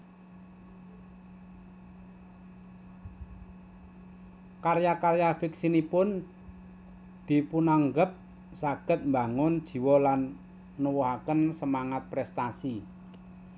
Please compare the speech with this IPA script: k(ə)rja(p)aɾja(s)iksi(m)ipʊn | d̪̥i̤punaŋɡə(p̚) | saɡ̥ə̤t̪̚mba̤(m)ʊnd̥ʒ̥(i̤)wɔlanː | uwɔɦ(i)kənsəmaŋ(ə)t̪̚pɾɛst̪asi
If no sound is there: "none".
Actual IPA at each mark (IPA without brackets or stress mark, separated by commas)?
a, k, f, n, p̚, ŋ, i̤, a, a